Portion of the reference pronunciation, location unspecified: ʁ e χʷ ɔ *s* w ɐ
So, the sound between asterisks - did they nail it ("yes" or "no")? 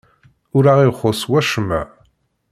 yes